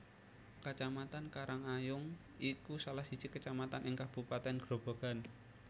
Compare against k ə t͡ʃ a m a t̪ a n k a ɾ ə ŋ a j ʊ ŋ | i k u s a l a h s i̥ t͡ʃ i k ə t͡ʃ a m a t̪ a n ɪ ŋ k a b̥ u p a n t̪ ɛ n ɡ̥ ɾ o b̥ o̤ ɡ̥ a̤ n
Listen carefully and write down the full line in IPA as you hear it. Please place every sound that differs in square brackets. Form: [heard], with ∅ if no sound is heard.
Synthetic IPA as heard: k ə t͡ʃ a m a t̪ a n k a ɾ [a] ŋ a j ʊ ŋ | i k u s a l a h s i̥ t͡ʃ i k ə t͡ʃ a m a t̪ a n ɪ ŋ k a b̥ u p a [∅] t̪ ɛ n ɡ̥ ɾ o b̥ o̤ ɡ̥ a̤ n